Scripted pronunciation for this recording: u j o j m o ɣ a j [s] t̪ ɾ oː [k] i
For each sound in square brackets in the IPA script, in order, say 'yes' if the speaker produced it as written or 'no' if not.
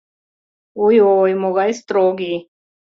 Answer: yes, no

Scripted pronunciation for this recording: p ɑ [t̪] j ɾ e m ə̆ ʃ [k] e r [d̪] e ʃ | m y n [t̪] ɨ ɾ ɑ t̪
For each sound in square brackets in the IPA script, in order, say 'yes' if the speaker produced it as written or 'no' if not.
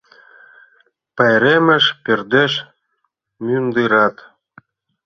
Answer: no, no, yes, no

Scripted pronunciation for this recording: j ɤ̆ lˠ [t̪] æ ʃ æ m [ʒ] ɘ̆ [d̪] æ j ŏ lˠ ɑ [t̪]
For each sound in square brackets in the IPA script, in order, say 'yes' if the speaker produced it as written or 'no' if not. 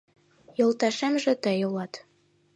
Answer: yes, yes, no, yes

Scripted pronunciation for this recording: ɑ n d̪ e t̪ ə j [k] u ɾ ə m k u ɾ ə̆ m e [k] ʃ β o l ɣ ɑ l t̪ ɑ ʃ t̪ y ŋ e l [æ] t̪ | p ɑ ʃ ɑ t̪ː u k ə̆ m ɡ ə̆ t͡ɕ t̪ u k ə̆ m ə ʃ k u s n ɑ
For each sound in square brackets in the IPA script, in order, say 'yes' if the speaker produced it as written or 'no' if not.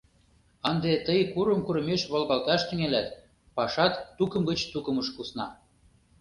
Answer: yes, no, yes

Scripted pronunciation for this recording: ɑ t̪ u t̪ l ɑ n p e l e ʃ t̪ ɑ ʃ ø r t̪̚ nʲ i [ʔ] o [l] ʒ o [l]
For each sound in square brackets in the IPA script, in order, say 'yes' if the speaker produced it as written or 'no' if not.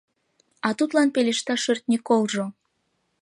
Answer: no, yes, no

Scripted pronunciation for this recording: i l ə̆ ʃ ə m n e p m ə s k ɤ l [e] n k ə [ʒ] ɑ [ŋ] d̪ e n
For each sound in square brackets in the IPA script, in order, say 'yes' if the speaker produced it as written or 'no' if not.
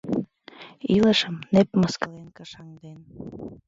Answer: yes, no, yes

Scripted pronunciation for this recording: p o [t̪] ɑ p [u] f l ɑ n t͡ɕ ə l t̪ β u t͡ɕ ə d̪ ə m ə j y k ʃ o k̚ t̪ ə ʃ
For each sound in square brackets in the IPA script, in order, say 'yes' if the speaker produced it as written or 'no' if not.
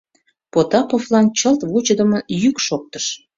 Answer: yes, no

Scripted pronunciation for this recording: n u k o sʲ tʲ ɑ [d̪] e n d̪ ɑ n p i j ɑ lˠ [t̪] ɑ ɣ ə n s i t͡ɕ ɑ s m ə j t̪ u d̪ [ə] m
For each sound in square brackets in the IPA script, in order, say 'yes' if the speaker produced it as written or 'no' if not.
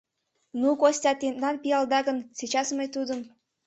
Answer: no, no, yes

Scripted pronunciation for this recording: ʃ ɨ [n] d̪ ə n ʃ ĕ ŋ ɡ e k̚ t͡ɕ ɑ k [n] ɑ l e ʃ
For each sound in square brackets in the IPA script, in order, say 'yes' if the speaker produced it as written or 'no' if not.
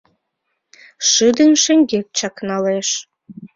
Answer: no, yes

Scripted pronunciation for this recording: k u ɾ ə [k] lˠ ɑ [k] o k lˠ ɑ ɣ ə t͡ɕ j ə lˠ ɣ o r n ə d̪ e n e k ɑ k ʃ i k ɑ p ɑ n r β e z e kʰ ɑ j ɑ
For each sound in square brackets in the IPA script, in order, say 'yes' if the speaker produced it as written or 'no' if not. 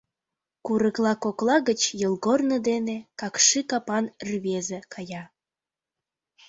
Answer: yes, yes

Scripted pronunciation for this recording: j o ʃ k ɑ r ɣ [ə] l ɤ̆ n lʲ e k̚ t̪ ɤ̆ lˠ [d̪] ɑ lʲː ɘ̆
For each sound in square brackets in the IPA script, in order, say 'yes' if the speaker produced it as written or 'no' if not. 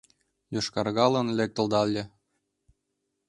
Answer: no, yes

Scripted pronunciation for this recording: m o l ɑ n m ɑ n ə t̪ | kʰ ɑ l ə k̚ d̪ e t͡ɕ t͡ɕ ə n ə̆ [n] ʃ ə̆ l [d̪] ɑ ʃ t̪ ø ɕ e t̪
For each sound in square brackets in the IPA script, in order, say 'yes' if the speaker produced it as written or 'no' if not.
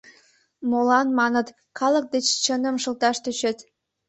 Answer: no, no

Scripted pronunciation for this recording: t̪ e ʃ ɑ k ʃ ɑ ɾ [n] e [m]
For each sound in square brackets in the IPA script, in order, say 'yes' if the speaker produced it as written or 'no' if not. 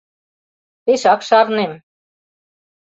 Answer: yes, yes

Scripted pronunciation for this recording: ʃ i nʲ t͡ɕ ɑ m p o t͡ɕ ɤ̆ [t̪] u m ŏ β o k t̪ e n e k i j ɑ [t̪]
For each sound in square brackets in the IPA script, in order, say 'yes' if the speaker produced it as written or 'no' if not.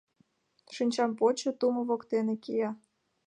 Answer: yes, no

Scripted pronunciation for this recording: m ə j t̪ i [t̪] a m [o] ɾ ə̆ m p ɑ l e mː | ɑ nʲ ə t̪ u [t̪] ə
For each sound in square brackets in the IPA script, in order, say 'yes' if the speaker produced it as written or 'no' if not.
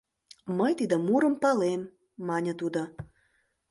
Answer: no, no, no

